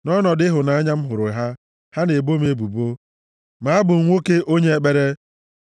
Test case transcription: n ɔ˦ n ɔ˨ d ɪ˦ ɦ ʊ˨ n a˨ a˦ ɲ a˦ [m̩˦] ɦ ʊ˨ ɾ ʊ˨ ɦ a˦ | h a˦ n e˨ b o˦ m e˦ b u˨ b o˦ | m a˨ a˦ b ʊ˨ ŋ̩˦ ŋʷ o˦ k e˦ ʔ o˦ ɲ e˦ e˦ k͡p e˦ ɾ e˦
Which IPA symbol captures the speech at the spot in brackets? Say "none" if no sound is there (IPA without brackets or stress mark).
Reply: m̩˦